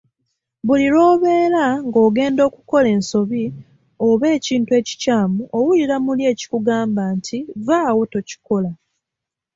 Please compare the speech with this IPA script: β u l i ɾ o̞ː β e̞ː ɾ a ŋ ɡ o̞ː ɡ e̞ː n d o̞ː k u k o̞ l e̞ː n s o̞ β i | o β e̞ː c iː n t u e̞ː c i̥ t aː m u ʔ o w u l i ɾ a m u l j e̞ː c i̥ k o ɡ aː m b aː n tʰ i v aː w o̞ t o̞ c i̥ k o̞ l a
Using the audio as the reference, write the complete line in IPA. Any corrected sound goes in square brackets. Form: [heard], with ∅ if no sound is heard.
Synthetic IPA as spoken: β u l i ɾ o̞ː β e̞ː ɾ a ŋ ɡ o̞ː ɡ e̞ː n d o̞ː k u k o̞ l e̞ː n s o̞ β i | o β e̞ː c iː n t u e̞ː c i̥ [c] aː m u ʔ o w u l i ɾ a m u l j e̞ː c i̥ k [u] ɡ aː m b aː n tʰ i v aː w o̞ t o̞ c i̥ k o̞ l a